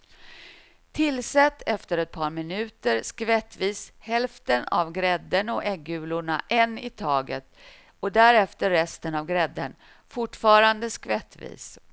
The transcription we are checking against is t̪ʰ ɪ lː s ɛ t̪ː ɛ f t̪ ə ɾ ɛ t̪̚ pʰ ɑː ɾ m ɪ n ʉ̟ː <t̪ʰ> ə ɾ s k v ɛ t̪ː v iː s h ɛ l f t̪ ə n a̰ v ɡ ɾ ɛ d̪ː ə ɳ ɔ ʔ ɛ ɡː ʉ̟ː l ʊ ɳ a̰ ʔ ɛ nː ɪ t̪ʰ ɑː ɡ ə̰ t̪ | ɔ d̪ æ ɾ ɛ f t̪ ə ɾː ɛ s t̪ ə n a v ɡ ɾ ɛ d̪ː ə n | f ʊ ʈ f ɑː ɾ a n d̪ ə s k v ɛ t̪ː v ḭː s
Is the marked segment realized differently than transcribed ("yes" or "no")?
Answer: yes